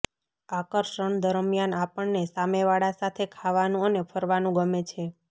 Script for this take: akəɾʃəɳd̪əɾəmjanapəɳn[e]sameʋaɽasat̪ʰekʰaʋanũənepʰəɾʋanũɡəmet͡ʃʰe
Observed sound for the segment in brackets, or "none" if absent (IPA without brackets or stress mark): e